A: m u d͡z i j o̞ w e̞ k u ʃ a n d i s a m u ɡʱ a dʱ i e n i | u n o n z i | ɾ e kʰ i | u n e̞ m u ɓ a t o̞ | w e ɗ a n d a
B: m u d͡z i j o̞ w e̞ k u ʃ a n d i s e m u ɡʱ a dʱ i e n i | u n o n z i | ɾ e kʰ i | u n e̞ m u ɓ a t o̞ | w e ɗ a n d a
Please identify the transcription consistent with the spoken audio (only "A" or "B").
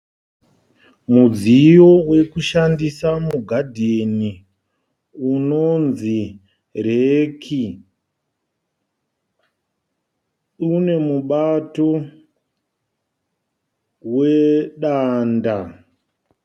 A